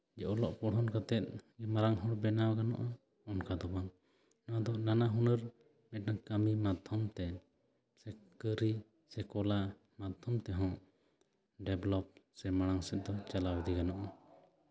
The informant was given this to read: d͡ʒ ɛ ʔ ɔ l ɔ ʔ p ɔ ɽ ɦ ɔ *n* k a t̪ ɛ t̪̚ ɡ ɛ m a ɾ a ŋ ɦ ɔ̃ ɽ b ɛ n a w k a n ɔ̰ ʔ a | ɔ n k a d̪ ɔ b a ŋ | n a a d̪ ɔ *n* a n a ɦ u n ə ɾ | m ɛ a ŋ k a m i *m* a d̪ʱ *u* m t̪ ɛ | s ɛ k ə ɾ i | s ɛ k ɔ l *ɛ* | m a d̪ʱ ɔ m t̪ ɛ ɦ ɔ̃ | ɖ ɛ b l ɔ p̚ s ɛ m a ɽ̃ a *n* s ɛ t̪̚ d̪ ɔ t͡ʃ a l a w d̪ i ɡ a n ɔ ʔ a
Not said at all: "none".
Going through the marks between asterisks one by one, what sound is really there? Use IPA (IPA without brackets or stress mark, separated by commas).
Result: n, n, m, ɔ, a, ŋ